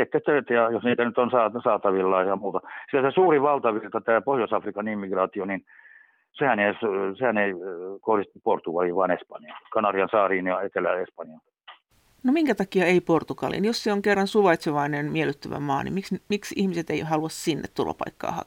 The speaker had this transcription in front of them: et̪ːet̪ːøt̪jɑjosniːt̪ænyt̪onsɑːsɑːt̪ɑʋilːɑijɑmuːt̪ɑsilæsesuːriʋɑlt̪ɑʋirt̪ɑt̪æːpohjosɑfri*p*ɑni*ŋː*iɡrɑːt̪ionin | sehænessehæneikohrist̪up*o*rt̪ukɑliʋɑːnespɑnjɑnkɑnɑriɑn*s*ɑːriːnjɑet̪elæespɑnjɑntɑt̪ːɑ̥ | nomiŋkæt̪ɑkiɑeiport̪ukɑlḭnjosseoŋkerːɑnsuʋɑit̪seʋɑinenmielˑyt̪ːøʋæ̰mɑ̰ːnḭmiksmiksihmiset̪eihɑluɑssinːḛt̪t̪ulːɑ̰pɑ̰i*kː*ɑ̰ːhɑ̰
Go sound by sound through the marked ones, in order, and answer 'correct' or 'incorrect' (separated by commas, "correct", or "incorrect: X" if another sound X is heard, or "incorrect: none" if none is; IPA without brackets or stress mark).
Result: incorrect: k, incorrect: mː, correct, correct, correct